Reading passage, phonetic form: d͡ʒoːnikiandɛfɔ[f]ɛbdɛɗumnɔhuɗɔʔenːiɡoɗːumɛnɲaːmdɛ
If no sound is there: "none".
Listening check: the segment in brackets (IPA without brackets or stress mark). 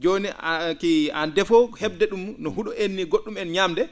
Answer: h